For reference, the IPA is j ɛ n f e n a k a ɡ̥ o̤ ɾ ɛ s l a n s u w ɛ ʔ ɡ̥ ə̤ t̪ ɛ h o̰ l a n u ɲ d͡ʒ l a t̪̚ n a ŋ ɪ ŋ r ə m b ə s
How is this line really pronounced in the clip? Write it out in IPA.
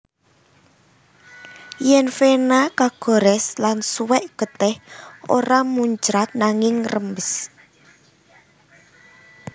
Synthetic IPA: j ɛ n f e n a k a ɡ̥ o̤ ɾ ɛ s l a n s u w ɛ ʔ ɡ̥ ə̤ t̪ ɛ h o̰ ɾ a m u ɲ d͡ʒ ɾ a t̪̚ n a ŋ ɪ ŋ r ə m b ə s